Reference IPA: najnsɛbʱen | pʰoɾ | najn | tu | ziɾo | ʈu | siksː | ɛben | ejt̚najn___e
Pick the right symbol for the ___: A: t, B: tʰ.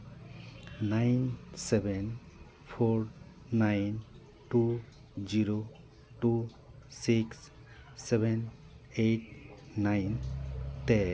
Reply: A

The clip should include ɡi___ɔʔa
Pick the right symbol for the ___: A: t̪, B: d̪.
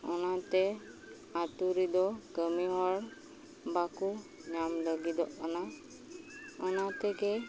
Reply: B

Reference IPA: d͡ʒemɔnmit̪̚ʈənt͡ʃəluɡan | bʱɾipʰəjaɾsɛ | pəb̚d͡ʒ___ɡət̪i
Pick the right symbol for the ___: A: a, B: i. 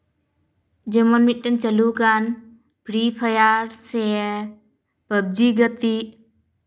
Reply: B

